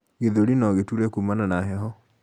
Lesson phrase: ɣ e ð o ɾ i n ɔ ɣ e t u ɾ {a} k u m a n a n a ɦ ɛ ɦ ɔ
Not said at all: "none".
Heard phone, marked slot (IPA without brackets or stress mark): ɛ